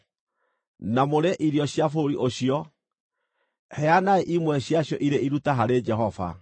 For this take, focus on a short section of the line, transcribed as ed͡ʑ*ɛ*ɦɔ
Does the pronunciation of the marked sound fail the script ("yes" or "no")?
no